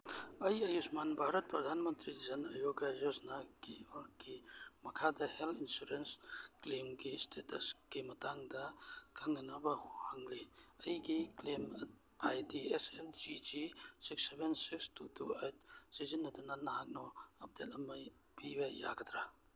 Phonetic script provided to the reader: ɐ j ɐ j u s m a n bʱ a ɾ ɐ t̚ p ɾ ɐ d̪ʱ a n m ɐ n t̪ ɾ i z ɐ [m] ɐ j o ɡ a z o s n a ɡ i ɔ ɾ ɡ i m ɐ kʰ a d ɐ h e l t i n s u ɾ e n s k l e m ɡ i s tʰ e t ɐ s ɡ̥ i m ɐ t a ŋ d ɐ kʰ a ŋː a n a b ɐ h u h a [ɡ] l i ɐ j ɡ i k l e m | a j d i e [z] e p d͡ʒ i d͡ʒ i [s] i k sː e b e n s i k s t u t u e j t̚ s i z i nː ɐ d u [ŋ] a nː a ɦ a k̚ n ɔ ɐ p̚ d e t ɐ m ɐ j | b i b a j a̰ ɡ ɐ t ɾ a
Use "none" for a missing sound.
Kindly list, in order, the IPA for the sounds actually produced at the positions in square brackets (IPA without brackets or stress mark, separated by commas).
n, ŋ, s, s, n